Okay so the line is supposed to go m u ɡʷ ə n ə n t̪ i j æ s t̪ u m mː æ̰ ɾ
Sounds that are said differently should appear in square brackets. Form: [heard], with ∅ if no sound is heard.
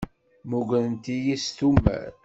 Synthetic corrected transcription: m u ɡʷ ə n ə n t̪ i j [i] s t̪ u m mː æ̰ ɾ